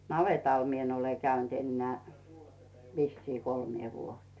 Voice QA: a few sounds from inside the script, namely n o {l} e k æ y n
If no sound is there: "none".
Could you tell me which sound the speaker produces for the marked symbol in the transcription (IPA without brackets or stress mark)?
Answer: l